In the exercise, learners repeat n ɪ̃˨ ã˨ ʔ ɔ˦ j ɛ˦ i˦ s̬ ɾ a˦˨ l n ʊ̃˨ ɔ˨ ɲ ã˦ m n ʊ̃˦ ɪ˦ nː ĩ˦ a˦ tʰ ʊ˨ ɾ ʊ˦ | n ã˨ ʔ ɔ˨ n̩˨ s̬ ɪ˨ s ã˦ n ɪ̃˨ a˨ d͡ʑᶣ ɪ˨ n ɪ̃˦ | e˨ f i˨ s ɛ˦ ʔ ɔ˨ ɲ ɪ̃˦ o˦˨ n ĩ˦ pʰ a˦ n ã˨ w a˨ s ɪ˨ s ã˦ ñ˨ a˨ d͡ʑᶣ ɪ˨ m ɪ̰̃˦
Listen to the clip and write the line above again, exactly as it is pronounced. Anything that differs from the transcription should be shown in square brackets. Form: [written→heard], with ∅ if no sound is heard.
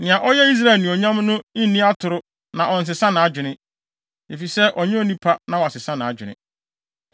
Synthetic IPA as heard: n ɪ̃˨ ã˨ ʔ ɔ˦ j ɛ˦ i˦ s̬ ɾ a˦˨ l n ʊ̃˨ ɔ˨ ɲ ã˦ m n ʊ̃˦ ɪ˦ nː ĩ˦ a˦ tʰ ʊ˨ ɾ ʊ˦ | n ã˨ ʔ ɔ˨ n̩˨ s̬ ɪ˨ s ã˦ n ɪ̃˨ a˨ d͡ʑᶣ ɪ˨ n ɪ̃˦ | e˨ f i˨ s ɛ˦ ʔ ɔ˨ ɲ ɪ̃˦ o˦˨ n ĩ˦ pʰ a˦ n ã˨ w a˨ s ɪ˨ s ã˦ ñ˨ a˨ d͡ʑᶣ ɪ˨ [m→n] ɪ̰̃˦